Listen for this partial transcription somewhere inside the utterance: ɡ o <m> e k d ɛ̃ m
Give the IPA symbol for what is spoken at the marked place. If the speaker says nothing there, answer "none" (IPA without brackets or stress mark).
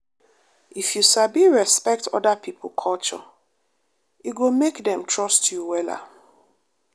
m